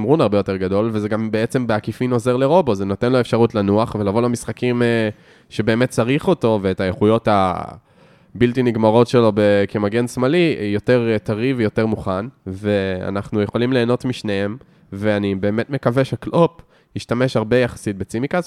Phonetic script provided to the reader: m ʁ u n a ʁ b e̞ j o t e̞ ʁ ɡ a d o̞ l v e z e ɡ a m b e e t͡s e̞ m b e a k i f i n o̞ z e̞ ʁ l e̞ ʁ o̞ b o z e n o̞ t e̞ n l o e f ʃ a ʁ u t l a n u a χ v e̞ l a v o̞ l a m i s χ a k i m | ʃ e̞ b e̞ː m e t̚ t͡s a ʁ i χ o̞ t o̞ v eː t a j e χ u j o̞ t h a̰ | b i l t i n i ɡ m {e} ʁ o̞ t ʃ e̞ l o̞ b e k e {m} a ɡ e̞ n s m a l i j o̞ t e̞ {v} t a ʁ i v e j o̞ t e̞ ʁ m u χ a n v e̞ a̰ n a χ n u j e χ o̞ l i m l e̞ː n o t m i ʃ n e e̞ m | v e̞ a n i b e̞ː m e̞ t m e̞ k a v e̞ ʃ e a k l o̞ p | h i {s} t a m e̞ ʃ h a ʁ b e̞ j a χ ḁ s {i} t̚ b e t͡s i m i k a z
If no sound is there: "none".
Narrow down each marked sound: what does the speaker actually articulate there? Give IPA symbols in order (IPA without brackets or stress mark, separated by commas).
a, m, ʁ, ʃ, i